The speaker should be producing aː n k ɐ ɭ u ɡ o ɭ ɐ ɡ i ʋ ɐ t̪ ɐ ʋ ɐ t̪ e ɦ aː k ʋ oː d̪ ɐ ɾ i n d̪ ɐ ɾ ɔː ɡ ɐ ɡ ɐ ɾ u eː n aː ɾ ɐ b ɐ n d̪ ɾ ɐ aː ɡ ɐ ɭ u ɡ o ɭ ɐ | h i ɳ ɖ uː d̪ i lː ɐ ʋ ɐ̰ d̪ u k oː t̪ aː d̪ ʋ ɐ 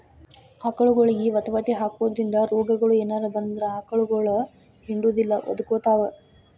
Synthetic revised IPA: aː k ɐ ɭ u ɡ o ɭ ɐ ɡ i ʋ ɐ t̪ ɐ ʋ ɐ t̪ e ɦ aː k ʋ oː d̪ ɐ ɾ i n d̪ ɐ ɾ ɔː ɡ ɐ ɡ ɐ ɭ u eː n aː ɾ ɐ b ɐ n d̪ ɾ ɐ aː k ɐ ɭ u ɡ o ɭ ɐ | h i ɳ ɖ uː d̪ i lː ɐ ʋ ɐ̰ d̪ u k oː t̪ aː ʋ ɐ